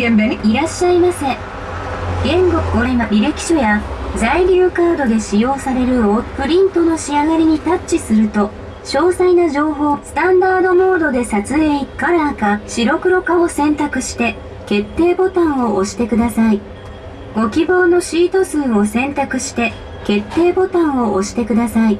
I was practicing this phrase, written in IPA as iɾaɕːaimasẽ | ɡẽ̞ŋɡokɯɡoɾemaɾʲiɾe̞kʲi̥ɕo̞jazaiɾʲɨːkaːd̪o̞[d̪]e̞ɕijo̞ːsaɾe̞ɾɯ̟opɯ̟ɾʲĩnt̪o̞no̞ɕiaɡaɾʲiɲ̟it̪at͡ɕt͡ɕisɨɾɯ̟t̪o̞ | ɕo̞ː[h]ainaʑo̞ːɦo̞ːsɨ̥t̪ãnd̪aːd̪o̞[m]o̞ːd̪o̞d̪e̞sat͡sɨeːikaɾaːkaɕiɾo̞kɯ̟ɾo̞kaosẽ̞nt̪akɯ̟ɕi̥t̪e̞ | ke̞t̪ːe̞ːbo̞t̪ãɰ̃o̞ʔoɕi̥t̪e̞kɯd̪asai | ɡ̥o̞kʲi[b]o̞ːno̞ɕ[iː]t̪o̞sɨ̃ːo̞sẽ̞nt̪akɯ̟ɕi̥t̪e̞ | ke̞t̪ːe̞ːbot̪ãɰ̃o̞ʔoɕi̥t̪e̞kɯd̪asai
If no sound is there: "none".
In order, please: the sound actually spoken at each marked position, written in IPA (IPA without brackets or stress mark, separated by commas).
d̪, s, m, b, iː